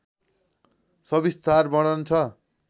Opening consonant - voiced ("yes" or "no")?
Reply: no